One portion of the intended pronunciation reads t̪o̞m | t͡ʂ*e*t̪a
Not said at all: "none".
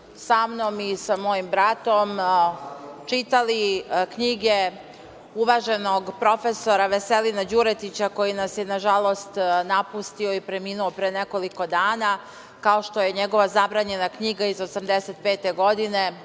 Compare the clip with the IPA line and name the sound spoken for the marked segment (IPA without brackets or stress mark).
i